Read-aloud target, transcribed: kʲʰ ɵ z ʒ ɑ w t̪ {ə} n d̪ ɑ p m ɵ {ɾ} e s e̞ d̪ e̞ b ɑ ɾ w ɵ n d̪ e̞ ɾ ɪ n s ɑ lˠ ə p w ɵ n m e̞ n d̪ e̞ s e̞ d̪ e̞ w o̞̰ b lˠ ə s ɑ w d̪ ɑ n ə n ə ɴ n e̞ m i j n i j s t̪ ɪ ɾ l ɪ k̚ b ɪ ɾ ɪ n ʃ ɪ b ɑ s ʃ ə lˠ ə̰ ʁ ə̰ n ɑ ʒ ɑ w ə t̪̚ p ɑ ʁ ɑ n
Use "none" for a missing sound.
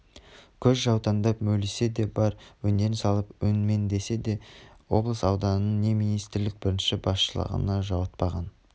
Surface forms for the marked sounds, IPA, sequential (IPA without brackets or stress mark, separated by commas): ɑ, l